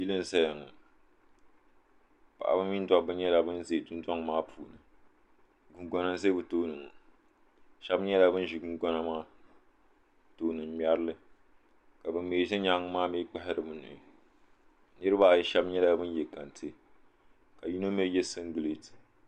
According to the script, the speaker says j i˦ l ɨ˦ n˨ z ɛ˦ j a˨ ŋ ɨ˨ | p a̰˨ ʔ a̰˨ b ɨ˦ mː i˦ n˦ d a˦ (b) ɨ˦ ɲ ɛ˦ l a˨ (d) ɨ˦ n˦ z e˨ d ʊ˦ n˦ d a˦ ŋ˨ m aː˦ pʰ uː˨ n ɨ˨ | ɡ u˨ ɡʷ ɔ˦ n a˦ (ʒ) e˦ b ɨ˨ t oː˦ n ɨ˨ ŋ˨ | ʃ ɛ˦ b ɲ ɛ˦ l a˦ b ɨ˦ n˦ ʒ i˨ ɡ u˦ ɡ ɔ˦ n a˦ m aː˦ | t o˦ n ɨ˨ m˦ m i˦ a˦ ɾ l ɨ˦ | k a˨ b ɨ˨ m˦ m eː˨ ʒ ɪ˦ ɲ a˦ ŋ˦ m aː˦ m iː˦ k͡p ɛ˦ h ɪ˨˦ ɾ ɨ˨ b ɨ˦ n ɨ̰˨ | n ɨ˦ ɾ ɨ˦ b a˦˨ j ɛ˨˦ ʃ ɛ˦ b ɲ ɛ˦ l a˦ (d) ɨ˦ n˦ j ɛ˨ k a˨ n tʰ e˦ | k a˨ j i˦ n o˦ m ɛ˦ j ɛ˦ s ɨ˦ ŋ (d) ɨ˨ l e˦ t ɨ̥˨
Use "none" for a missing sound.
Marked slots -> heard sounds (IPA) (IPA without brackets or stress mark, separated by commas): b, b, z, b, ɡ